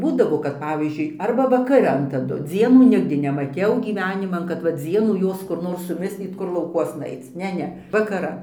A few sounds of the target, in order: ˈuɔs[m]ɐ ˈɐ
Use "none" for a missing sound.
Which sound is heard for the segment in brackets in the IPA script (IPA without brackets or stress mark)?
n